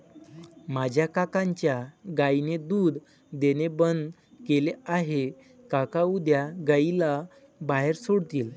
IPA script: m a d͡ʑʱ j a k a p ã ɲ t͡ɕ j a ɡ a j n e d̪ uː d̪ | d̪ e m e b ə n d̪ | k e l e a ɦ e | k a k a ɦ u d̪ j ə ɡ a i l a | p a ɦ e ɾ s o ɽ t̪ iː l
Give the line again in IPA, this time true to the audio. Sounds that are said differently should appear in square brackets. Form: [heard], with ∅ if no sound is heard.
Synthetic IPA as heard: m a d͡ʑʱ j a k a [k] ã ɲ t͡ɕ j a ɡ a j n e d̪ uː d̪ | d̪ e [n] e b ə n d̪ | k e l e a ɦ e | k a k a [∅] u d̪ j [a] ɡ a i l a | [b] a ɦ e ɾ s o ɽ t̪ iː l